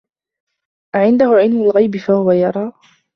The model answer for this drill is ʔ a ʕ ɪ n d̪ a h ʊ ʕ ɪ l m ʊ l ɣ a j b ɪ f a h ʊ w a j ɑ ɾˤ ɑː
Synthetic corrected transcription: ʔ a ʕ ɪ n d̪ a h ʊ ʕ ɪ l m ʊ l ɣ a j b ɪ f a h ʊ w a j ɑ ɾˤ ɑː